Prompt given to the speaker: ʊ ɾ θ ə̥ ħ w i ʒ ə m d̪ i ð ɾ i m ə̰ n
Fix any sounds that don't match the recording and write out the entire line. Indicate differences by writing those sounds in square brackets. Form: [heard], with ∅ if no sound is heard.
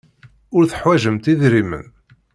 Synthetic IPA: ʊ ɾ θ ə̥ ħ w [æ] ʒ ə m [t̪] i ð ɾ i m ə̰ n

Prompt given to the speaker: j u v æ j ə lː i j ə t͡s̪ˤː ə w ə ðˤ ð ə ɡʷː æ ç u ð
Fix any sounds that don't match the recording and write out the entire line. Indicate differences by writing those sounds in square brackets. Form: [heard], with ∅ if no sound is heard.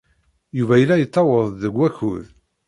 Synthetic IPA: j u v æ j ə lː [æ] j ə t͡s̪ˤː [ɑ] w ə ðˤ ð ə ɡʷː æ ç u ð

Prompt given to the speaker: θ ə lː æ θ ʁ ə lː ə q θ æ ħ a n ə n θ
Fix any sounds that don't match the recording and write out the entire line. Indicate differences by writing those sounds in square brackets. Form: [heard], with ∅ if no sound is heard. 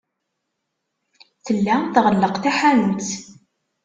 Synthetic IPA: θ ə lː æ θ ʁ ə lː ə q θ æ ħ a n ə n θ

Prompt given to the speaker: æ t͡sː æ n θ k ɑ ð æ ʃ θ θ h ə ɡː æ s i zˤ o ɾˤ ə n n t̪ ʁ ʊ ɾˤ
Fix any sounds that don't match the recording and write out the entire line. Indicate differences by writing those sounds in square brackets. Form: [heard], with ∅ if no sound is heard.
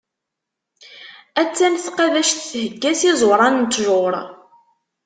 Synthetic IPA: æ t͡sː æ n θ [q] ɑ ð æ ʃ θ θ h ə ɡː æ s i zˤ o ɾˤ [ɑ] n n t̪ [ʒ] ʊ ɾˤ

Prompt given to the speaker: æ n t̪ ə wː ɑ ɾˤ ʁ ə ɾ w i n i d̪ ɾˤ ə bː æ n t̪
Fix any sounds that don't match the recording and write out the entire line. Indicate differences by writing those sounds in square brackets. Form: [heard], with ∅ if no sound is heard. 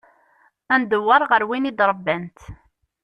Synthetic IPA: æ n [d̪] ə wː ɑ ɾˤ ʁ ə ɾ w i n i d̪ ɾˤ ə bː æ n t̪

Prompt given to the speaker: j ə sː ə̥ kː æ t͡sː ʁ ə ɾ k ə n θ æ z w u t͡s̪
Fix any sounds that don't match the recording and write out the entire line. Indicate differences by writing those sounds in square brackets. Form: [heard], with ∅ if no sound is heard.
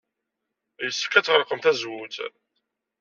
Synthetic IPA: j ə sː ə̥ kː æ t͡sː ʁ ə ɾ [q] ə [m] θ æ z w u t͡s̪

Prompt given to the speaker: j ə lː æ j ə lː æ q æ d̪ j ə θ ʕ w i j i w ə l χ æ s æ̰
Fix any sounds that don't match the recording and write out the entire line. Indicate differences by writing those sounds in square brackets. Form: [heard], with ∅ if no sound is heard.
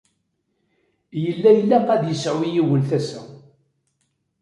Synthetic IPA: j ə lː æ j ə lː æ q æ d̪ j ə [s] ʕ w i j i w ə l [θ] æ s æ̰

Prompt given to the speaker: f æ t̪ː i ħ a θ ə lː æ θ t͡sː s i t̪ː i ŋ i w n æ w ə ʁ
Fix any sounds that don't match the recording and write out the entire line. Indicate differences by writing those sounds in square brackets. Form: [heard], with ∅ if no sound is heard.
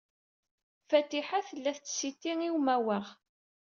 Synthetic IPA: f æ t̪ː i ħ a θ ə lː æ θ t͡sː s i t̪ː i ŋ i w [m] æ w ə ʁ

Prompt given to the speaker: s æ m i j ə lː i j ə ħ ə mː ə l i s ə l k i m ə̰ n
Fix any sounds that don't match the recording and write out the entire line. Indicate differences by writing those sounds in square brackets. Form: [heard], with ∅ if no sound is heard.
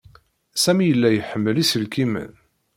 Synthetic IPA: s æ m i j ə lː [æ] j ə ħ ə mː ə l i s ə l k i m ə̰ n

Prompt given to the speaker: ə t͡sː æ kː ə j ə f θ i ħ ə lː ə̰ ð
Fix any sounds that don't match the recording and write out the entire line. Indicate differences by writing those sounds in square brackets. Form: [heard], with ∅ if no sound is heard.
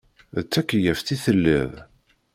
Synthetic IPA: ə t͡sː æ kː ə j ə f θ i [θ] ə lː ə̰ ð

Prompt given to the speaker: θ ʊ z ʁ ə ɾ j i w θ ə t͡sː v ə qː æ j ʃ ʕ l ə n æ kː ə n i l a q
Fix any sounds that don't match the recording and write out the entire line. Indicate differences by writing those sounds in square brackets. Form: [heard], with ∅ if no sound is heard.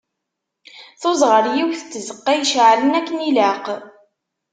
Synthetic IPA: θ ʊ z ʁ ə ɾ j i w θ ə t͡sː [z] ə qː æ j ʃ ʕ l ə n æ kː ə n i l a q

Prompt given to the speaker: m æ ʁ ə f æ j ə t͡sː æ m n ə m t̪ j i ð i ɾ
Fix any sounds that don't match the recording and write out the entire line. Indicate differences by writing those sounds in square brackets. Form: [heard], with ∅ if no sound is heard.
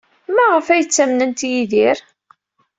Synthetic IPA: m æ ʁ ə f æ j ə t͡sː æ m n ə [n] t̪ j i ð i ɾ

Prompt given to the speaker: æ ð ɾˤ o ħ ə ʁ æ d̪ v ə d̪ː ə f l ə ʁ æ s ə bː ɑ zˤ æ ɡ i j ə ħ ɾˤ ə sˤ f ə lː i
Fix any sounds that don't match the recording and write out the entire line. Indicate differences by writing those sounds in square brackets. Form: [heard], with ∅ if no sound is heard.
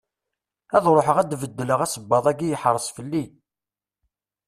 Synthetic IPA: æ ð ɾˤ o ħ ə ʁ æ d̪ v ə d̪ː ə [∅] l ə ʁ æ s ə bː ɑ [ðˤ] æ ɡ i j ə ħ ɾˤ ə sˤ f ə lː i

